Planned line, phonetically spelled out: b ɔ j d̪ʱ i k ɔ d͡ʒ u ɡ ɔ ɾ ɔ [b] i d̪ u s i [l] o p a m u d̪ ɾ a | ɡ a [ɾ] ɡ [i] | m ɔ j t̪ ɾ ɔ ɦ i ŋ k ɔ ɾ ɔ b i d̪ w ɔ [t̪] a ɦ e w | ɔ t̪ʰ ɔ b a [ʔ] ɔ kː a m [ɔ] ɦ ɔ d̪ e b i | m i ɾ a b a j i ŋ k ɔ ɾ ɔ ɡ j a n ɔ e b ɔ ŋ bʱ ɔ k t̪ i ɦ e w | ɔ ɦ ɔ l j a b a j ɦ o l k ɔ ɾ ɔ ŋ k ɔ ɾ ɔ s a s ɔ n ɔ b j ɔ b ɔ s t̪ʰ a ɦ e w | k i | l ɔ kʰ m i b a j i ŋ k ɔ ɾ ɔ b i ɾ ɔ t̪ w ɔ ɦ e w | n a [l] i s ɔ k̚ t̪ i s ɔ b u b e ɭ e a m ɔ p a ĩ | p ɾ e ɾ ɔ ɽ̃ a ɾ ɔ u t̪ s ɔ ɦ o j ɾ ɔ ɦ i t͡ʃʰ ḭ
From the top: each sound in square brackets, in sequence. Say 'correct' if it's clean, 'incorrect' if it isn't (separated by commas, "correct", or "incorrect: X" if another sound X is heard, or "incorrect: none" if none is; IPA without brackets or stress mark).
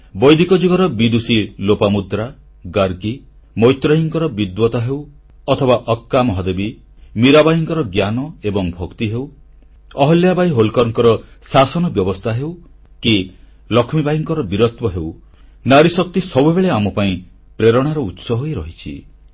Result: correct, correct, correct, correct, correct, correct, correct, incorrect: ɾ